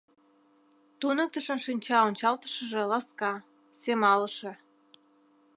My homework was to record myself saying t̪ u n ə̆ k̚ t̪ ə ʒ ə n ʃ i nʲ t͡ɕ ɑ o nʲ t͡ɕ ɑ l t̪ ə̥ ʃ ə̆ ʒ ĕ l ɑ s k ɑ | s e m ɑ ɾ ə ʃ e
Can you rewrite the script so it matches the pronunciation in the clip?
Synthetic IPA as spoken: t̪ u n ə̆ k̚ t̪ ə ʃ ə n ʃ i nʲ t͡ɕ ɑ o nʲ t͡ɕ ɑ l t̪ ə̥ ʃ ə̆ ʒ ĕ l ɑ s k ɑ | s e m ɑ l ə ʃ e